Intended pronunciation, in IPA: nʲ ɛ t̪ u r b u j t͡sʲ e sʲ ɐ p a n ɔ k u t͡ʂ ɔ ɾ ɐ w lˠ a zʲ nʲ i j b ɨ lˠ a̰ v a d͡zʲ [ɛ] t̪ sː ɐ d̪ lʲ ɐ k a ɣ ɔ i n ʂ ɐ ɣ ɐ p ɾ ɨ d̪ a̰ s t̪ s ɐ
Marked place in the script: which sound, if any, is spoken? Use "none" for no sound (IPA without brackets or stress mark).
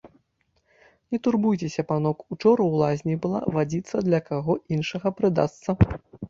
i